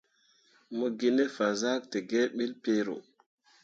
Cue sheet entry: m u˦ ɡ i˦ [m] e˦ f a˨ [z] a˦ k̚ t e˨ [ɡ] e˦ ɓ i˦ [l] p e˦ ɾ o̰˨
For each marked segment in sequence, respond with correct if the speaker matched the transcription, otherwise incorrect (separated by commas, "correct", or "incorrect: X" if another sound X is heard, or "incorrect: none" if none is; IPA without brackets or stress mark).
incorrect: n, correct, correct, correct